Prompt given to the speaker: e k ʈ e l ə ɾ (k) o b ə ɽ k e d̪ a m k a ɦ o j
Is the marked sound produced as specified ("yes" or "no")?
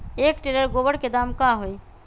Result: no